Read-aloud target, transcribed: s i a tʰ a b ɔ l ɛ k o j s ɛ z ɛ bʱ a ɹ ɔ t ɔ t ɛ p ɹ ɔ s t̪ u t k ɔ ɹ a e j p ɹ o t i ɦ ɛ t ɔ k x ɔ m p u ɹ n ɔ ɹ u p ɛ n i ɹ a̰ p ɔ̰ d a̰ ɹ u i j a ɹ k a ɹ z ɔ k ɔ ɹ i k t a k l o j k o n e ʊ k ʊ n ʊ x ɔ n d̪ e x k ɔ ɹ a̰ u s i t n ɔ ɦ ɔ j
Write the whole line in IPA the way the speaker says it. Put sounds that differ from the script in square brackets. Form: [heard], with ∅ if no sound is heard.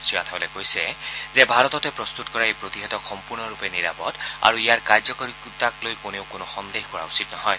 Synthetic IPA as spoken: s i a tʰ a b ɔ l ɛ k o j s ɛ z ɛ bʱ a ɹ ɔ t ɔ t ɛ p ɹ ɔ s t̪ u t k ɔ ɹ a e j p ɹ o t i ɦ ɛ t ɔ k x ɔ m p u ɹ n ɔ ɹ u p ɛ n i ɹ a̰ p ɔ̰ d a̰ ɹ u i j a ɹ k a ɹ z ɔ k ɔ ɹ i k t a k l o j k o n e ʊ k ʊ n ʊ x ɔ n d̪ e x k ɔ ɹ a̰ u s i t n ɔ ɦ ɔ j

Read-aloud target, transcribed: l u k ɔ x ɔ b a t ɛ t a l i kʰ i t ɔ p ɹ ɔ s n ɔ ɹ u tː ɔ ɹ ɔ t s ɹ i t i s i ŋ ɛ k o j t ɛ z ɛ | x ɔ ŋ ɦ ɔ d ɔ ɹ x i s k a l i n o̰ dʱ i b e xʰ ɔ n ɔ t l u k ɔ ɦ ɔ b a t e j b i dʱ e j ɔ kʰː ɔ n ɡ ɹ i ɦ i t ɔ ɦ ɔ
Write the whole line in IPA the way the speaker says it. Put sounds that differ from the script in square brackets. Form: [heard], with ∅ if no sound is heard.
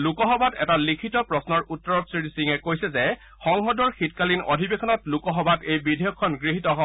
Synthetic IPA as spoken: l u k ɔ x ɔ b a t ɛ t a l i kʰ i t ɔ p ɹ ɔ s n ɔ ɹ u tː ɔ ɹ ɔ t s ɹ i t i s i ŋ ɛ k o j [s] ɛ z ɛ | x ɔ ŋ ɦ ɔ d ɔ ɹ x i [t] k a l i n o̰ dʱ i b e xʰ ɔ n ɔ t l u k ɔ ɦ ɔ b a t e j b i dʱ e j ɔ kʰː ɔ n ɡ ɹ i ɦ i t ɔ ɦ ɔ

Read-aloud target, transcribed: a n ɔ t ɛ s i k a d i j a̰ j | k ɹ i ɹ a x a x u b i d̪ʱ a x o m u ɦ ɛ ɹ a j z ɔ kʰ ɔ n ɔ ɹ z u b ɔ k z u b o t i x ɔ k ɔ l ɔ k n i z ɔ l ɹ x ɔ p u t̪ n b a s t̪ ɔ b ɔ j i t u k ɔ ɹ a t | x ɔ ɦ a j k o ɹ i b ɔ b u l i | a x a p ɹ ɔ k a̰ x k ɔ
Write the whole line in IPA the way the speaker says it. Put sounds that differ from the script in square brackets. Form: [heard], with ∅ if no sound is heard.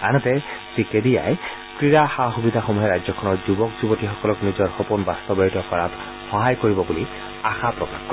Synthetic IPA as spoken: a n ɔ t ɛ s i k [e] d i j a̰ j | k ɹ i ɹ a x a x u b i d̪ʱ a x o m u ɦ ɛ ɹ a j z ɔ kʰ ɔ n ɔ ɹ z u b ɔ k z u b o t i x ɔ k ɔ l ɔ k n i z ɔ [∅] ɹ x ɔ p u [∅] n b a s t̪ ɔ b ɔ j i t [ɔ] k ɔ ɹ a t | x ɔ ɦ a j k o ɹ i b ɔ b u l i | a x a p ɹ ɔ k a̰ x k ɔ

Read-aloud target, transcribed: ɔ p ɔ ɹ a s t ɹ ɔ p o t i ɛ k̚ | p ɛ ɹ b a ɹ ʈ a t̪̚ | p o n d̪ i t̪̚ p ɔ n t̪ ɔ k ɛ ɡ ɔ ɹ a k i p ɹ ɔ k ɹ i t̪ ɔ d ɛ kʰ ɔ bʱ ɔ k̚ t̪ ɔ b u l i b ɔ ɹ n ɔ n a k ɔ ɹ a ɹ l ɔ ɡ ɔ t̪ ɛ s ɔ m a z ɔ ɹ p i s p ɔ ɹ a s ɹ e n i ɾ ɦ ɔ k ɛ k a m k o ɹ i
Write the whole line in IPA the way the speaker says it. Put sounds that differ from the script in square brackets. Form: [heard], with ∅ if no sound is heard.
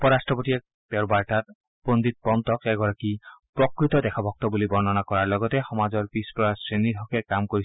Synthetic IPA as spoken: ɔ p ɔ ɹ a s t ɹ ɔ p o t i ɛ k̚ | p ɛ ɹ b a ɹ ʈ a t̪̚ | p o n d̪ i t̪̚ p ɔ n t̪ ɔ k ɛ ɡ ɔ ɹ a k i p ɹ ɔ k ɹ i t̪ ɔ d ɛ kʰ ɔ bʱ ɔ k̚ t̪ ɔ b u l i b ɔ ɹ n ɔ n a k ɔ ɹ a ɹ l ɔ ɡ ɔ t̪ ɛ [x] ɔ m a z ɔ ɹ p i s p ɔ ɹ a s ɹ e n i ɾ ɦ ɔ k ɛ k a m k o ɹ i

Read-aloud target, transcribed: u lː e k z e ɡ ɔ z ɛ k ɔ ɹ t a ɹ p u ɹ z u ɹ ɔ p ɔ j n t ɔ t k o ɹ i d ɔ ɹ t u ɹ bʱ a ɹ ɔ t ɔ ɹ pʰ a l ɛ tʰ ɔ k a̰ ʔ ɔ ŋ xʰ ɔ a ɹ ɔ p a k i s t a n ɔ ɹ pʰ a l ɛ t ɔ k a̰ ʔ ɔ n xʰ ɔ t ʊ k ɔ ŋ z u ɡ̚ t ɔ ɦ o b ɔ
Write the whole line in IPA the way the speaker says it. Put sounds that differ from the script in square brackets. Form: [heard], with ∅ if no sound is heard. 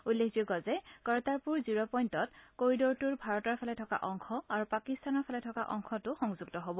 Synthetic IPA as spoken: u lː e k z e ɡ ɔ z ɛ k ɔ ɹ t a ɹ p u ɹ z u ɹ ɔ p ɔ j n t ɔ t k o ɹ i d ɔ ɹ t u ɹ bʱ a ɹ ɔ t ɔ ɹ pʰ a l ɛ tʰ ɔ k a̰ ʔ ɔ ŋ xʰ ɔ a ɹ [u] p a k i s t a n ɔ ɹ pʰ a l ɛ [tʰ] ɔ k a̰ ʔ ɔ [ŋ] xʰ ɔ t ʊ [x] ɔ ŋ z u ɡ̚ t ɔ ɦ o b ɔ

